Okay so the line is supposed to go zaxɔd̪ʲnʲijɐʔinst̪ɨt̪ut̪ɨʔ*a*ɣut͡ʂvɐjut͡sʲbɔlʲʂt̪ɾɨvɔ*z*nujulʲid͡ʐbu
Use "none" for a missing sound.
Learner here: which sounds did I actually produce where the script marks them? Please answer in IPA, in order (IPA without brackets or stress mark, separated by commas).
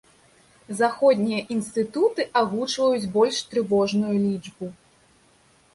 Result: a, ʐ